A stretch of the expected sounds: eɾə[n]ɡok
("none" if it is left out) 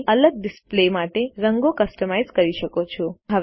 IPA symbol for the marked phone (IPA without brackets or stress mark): ŋ